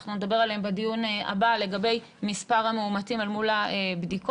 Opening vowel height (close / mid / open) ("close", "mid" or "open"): close